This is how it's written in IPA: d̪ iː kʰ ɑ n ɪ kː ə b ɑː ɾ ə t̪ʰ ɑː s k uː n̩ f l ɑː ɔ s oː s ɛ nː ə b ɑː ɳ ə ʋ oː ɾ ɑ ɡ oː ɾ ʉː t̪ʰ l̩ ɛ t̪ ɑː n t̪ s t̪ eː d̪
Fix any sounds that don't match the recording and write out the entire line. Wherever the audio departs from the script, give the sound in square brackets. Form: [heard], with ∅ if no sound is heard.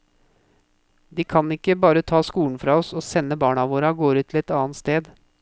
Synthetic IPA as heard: d̪ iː kʰ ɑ n ɪ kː ə b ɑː ɾ ə t̪ʰ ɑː s k uː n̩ f [ɾ] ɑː ɔ s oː s ɛ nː ə b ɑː ɳ [ɑ] ʋ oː ɾ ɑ ɡ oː ɾ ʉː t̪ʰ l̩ ɛ t̪ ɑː n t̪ s t̪ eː d̪